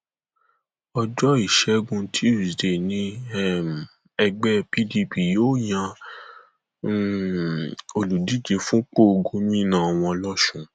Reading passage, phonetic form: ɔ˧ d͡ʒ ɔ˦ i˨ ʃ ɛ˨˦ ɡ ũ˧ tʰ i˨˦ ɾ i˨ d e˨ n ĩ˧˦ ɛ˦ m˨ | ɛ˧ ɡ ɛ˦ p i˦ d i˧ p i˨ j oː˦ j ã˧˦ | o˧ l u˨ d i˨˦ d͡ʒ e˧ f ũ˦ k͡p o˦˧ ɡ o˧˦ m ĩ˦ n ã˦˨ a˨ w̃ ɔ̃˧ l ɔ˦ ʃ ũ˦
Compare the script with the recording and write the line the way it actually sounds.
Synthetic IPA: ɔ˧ d͡ʒ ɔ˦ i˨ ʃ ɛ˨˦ ɡ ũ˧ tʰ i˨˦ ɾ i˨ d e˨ n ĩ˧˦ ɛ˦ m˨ | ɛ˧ ɡ͡b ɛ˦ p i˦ d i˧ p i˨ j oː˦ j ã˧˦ | o˧ l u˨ d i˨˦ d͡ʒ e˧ f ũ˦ k͡p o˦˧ ɡ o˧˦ m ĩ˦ n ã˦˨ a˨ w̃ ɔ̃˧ l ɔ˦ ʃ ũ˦